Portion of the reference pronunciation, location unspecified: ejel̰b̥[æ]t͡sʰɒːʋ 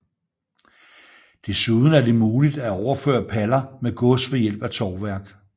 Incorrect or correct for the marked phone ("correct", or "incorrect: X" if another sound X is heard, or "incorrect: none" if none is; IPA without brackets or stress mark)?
correct